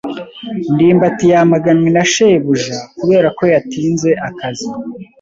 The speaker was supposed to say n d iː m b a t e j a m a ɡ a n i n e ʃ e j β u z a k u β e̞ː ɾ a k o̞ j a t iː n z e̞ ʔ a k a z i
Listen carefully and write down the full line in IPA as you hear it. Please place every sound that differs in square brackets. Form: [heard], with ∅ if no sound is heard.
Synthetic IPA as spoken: n d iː m b a t [i] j a m a ɡ a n i n [a] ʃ e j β u [ʒ] a k u β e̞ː ɾ a k o̞ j a t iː n z e̞ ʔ a k a z i